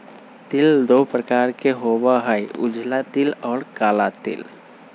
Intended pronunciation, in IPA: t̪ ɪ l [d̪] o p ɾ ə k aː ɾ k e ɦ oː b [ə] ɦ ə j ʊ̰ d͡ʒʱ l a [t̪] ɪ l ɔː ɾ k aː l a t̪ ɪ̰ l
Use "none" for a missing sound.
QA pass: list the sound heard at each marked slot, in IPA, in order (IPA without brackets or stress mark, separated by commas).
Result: d̪, a, t̪